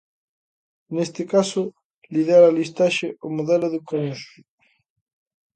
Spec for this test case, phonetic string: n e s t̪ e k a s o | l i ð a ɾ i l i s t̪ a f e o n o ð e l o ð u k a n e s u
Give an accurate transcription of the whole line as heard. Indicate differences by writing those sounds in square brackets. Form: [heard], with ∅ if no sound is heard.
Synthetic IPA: n e s t̪ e k a s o | l i ð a ɾ [a] l i s t̪ a [ʃ] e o [m] o ð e l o ð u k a n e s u

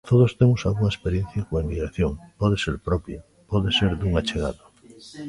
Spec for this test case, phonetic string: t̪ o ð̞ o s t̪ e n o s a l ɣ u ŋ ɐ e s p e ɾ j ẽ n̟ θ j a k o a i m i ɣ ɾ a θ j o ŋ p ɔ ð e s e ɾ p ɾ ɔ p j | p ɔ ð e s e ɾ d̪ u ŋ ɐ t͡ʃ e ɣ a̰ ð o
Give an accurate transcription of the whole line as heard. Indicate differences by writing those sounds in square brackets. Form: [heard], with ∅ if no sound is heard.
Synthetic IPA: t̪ o ð̞ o s t̪ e [m] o s a l ɣ u ŋ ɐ e s p e ɾ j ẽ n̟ θ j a k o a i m i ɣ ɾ a θ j o ŋ p ɔ ð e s e ɾ p ɾ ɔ p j | p ɔ ð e s e ɾ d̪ u ŋ [a] t͡ʃ e ɣ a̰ ð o

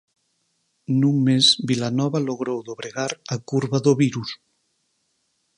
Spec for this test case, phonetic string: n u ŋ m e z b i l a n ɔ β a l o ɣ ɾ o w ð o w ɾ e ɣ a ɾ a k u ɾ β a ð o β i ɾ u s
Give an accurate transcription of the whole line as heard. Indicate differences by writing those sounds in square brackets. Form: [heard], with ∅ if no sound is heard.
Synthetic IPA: n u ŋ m e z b i l a n ɔ β a l o ɣ ɾ o w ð o [β] ɾ e ɣ a ɾ a k u ɾ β a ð o β i ɾ u s

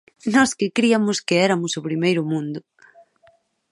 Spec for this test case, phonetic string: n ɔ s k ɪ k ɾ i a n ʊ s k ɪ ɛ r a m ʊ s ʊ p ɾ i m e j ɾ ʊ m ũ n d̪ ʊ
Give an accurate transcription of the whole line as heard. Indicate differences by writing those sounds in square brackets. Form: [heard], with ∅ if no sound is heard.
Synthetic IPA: n ɔ s k ɪ k ɾ i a [m] ʊ s k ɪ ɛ [ɾ] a m ʊ s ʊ p ɾ i m e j ɾ ʊ m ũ n d̪ ʊ

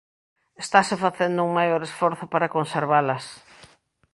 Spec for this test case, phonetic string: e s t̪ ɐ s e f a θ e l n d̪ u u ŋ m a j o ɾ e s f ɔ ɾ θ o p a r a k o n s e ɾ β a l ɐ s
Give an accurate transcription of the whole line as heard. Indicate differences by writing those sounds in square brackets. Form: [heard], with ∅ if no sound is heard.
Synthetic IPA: e s t̪ [a] s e f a θ e [∅] n d̪ [ʊ] u ŋ m a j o ɾ e s f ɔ ɾ θ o p a [ɾ] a k o n s e ɾ β a l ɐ s

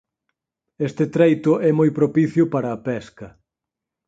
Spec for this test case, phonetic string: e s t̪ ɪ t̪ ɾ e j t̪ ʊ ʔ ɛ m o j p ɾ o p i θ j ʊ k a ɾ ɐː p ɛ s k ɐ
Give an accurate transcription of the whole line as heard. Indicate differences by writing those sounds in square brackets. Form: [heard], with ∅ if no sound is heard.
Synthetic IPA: e s t̪ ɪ t̪ ɾ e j t̪ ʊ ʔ ɛ m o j p ɾ o p i θ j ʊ [p] a ɾ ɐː p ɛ s k ɐ

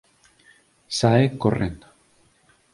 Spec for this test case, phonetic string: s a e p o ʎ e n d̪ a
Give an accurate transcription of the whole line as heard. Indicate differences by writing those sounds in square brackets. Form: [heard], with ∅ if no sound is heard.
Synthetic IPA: s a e [k] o [r] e n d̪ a

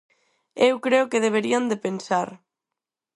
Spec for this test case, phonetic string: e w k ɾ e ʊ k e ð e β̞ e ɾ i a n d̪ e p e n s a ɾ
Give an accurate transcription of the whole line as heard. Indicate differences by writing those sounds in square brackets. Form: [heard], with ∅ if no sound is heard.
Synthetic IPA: e w k ɾ e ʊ k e ð e β̞ e ɾ i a n d̪ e p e n s a ɾ

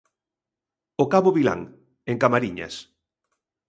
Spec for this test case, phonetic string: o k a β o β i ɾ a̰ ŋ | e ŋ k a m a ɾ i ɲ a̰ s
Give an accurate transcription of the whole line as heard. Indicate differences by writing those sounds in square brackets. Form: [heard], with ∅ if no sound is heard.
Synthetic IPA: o k a β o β i [l] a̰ ŋ | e ŋ k a m a ɾ i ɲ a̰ s

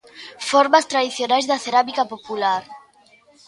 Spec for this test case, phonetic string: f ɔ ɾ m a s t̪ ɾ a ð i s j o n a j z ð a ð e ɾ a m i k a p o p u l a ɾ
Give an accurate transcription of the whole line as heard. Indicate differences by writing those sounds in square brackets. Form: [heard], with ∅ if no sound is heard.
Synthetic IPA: f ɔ ɾ m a s t̪ ɾ a ð i [θ] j o n a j z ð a [θ] e ɾ a m i k a p o p u l a ɾ

